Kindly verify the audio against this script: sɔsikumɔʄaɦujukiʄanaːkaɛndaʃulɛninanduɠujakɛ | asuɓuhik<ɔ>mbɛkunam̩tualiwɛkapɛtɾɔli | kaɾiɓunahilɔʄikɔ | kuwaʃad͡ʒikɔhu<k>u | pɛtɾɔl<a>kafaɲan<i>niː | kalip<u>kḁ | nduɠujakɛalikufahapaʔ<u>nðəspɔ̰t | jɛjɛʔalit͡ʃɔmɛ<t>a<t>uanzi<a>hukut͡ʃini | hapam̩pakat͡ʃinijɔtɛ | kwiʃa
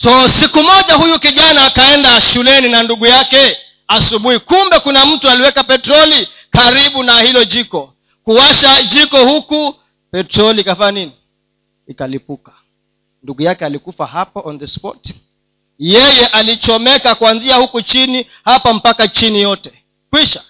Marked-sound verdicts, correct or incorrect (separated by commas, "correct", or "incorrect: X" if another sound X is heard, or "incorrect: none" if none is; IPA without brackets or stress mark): incorrect: u, correct, incorrect: i, correct, correct, incorrect: ɔ, incorrect: k, incorrect: k, correct